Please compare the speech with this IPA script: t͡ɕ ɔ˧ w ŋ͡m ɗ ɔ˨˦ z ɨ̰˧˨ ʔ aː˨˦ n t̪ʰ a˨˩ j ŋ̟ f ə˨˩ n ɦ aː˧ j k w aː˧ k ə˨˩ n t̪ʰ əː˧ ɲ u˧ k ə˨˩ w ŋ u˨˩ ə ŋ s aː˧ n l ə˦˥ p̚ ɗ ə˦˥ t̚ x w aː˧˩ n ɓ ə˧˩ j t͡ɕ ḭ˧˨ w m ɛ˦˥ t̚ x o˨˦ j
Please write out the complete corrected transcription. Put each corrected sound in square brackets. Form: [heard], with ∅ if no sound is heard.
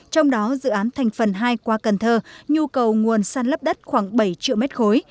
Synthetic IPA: t͡ɕ ɔ˧ w ŋ͡m ɗ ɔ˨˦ z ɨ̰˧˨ ʔ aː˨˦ n t̪ʰ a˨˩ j ŋ̟ f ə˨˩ n ɦ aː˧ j k w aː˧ k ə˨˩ n t̪ʰ əː˧ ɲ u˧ k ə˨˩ w ŋ u˨˩ ə [n] s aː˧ n l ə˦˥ p̚ ɗ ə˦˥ t̚ x w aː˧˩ [ŋ] ɓ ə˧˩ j t͡ɕ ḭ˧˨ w m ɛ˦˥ t̚ x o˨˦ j